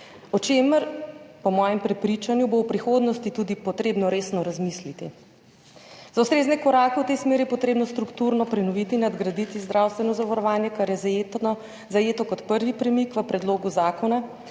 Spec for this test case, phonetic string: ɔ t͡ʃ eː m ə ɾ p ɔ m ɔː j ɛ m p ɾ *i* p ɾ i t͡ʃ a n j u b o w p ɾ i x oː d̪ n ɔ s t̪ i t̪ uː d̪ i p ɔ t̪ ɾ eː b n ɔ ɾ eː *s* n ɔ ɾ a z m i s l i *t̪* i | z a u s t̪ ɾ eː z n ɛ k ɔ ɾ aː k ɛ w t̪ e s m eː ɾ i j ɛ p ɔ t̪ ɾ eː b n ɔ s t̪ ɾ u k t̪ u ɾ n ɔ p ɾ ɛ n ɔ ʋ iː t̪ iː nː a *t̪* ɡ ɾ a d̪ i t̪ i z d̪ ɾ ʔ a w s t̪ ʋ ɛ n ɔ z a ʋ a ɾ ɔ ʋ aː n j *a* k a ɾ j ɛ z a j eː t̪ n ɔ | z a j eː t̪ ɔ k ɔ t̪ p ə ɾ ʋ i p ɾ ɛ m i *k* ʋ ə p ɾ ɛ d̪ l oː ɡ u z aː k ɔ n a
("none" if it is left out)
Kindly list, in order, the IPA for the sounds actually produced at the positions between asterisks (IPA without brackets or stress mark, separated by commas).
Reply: ɛ, s, t̪, d̪, ɛ, k